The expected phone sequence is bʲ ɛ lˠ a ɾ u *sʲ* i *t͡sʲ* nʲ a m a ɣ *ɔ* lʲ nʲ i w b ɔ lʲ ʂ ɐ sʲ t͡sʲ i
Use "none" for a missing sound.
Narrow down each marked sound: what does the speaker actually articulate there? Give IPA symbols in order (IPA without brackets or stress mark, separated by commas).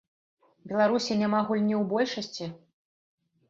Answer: sʲ, none, u